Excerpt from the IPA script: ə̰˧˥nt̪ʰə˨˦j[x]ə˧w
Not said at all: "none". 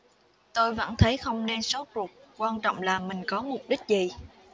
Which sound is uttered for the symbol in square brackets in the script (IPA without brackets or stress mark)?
x